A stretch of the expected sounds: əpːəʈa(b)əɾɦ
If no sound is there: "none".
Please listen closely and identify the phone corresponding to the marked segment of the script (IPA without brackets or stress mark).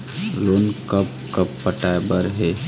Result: b